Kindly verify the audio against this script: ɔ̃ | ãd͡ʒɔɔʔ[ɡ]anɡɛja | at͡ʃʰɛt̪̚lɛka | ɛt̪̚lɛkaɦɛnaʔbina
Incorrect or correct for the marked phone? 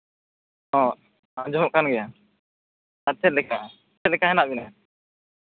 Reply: incorrect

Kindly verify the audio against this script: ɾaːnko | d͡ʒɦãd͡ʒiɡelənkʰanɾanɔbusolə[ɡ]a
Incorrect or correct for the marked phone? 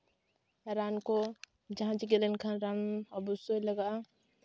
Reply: correct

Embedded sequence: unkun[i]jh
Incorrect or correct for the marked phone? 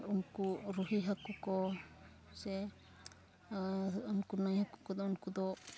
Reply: incorrect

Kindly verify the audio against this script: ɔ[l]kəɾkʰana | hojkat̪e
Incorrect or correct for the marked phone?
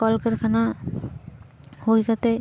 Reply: correct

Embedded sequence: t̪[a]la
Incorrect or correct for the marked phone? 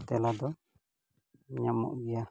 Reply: incorrect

